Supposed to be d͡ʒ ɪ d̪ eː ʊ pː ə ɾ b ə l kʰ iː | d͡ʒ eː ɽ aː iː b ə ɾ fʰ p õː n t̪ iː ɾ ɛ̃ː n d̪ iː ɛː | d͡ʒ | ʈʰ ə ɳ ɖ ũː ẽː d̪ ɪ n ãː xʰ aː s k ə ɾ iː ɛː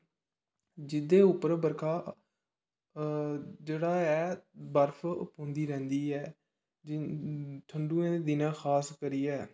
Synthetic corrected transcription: d͡ʒ ɪ d̪ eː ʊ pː ə ɾ b ə ɾ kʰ aː | d͡ʒ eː ɽ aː ɛː b ə ɾ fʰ p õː n d̪ iː ɾ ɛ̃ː n d̪ iː ɛː | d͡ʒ | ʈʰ ə ɳ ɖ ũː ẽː d̪ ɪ n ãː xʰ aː s k ə ɾ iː ɛː